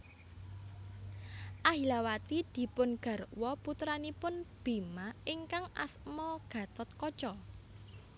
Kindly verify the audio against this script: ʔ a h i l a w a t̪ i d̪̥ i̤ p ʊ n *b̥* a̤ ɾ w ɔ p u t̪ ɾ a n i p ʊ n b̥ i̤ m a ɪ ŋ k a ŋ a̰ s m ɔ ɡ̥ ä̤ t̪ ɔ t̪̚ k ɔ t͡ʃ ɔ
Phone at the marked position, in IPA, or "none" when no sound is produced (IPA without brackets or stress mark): ɡ̥